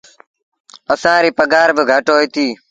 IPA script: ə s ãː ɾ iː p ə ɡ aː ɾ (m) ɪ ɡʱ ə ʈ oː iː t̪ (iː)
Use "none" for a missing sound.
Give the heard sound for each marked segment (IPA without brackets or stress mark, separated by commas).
b, iː